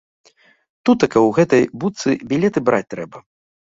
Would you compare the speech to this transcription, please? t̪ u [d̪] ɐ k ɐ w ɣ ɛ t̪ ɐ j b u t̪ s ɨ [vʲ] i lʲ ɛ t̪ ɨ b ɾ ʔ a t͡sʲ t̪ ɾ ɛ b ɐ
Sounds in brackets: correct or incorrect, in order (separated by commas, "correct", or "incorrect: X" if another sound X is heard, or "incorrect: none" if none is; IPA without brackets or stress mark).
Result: incorrect: t̪, incorrect: bʲ